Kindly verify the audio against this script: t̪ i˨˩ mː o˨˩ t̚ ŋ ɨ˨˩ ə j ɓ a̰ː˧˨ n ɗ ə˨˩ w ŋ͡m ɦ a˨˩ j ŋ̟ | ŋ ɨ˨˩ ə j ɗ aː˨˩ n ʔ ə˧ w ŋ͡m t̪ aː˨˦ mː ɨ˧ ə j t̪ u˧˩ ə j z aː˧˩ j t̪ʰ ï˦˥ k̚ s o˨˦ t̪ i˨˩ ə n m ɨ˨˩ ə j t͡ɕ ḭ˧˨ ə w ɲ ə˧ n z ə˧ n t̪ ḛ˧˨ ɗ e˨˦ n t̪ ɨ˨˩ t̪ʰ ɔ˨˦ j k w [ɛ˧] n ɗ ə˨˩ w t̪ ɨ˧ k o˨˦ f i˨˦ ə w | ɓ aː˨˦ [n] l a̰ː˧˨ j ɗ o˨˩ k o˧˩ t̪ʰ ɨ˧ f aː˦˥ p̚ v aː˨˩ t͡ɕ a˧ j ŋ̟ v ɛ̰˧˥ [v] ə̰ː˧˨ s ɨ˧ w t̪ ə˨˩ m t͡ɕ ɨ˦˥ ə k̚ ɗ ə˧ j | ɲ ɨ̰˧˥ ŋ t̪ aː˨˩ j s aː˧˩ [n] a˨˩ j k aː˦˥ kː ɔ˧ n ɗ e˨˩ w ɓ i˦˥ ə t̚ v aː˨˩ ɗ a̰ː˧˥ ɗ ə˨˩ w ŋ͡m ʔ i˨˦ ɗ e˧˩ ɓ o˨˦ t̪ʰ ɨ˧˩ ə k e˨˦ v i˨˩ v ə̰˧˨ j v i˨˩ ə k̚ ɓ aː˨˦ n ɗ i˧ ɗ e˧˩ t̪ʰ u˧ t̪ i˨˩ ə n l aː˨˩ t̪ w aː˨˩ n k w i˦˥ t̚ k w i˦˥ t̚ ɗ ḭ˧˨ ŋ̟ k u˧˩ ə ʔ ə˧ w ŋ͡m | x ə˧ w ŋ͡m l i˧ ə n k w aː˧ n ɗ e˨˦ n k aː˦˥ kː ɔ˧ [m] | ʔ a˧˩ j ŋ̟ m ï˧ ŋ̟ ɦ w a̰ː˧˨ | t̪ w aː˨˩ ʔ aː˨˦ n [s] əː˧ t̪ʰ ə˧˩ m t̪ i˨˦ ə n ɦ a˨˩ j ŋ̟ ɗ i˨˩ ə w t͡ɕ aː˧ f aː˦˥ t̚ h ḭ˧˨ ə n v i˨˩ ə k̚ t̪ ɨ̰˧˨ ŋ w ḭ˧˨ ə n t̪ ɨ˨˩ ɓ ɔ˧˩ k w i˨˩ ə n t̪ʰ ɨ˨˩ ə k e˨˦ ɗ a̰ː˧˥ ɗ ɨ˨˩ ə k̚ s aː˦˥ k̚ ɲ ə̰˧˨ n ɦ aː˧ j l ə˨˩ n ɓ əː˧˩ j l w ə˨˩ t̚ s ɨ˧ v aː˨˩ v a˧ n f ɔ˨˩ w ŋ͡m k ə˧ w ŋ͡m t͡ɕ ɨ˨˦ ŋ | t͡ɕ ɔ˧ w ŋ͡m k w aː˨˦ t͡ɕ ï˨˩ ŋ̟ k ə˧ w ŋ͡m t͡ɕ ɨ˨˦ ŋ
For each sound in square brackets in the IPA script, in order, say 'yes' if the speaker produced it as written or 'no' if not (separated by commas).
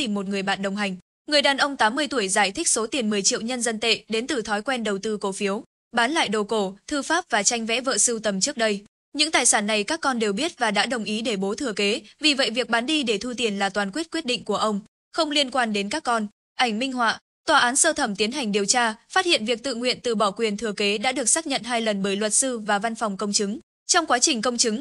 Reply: yes, yes, yes, no, no, yes